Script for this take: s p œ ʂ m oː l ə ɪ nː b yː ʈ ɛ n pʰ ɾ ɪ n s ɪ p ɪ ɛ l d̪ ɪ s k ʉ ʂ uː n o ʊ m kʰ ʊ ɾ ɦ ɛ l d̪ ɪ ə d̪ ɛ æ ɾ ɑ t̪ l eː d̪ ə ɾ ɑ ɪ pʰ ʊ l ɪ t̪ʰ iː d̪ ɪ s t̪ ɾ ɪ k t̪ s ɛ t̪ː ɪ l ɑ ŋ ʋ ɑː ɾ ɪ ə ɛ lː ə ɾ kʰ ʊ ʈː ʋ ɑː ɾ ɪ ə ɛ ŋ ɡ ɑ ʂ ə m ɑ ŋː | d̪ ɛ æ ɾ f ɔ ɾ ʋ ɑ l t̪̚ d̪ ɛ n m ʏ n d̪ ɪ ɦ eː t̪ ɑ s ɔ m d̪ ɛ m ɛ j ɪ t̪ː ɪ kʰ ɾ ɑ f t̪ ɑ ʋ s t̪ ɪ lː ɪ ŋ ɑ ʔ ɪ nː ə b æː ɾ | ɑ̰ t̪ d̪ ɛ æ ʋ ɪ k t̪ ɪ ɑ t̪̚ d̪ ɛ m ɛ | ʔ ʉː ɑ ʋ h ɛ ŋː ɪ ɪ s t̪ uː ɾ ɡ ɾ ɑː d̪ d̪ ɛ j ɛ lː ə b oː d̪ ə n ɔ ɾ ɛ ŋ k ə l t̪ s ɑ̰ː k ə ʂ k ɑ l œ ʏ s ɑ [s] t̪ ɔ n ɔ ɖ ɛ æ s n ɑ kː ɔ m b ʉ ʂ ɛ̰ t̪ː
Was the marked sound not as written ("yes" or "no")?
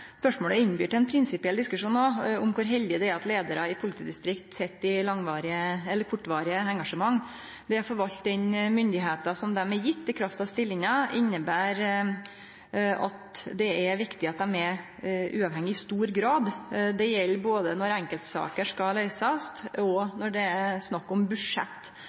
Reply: no